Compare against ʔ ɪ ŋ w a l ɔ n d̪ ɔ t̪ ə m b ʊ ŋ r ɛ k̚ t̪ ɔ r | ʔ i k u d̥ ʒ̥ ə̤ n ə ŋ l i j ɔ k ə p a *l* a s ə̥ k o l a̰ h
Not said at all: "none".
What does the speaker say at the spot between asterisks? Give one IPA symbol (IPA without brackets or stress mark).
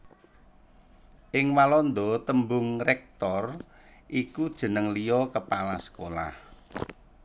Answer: l